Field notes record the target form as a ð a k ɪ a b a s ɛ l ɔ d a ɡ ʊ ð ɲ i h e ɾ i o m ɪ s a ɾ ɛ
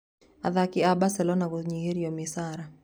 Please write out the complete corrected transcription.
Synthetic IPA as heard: a ð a k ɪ a b a s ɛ l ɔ n a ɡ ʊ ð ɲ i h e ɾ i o m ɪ s a ɾ a